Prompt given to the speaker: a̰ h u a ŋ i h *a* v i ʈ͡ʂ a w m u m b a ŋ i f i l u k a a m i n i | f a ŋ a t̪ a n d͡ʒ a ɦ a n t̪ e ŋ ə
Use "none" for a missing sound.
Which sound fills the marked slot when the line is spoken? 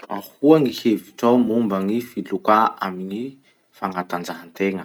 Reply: e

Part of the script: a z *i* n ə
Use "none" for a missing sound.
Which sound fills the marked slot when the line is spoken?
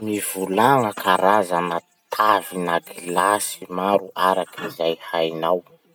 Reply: a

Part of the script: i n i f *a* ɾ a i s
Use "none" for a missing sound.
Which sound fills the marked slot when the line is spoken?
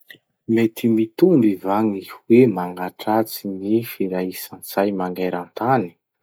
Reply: i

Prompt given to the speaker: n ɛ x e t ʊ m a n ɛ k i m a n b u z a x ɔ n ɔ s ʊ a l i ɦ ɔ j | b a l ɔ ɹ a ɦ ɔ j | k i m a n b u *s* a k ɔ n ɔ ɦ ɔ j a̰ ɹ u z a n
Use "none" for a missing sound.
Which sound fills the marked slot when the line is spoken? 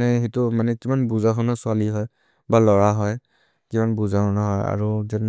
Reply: z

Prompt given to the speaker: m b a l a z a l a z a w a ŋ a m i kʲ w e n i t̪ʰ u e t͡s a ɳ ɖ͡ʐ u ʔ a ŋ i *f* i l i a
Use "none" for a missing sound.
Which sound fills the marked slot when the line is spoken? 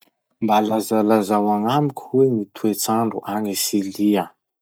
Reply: s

